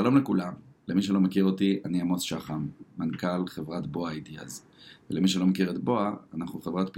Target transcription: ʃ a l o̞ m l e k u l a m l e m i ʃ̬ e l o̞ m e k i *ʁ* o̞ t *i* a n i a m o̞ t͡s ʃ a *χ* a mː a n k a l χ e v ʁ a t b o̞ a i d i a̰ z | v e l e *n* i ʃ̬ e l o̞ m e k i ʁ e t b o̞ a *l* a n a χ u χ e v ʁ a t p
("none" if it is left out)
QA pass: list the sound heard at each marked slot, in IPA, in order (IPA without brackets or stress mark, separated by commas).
ʁ, i, χ, m, none